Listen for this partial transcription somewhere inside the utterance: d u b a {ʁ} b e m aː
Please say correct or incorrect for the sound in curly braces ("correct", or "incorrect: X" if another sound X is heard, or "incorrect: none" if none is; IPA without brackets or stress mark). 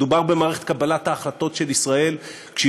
correct